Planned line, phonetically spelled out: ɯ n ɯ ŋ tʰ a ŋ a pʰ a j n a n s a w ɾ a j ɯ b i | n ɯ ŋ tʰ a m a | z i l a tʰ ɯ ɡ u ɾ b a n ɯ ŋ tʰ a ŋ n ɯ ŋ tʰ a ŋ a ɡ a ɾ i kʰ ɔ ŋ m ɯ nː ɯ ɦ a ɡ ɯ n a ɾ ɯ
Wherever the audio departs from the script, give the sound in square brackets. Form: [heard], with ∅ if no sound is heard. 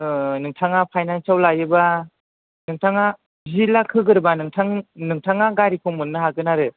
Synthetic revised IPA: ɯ n ɯ ŋ tʰ a ŋ a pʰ a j n a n s a w [l] a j ɯ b [a] | n ɯ ŋ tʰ a [ŋ] a | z i l a [kʰ] ɯ ɡ [ɯ] ɾ b a n ɯ ŋ tʰ a ŋ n ɯ ŋ tʰ a ŋ a ɡ a ɾ i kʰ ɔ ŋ m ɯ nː ɯ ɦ a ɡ ɯ n a ɾ ɯ